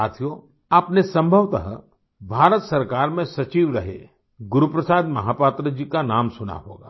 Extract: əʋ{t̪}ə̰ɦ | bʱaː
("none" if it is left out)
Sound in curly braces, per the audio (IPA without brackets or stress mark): t̪